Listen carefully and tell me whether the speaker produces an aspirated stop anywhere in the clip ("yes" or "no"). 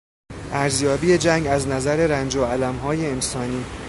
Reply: no